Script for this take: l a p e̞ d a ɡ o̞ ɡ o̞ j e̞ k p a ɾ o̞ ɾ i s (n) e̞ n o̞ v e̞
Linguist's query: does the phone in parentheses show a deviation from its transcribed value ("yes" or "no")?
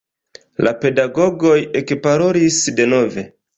yes